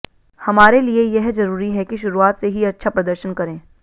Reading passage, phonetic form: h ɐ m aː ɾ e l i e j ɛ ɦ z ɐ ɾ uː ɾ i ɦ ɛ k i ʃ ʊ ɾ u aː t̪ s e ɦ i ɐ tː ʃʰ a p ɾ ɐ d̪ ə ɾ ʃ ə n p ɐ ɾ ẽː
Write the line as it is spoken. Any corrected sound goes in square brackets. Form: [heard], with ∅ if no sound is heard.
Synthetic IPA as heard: h ɐ m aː ɾ e l i e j ɛ ɦ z ɐ ɾ uː ɾ i ɦ ɛ k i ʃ ʊ ɾ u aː t̪ s e ɦ i ɐ tː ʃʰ a p ɾ ɐ d̪ ə ɾ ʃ ə n [k] ɐ ɾ ẽː